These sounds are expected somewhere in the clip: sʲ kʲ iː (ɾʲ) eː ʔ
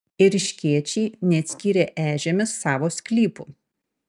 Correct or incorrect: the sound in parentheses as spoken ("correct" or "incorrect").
correct